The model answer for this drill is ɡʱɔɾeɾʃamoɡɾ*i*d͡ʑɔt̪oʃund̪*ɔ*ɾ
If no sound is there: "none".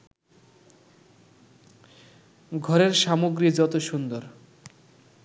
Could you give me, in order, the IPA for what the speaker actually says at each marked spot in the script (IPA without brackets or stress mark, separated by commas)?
i, o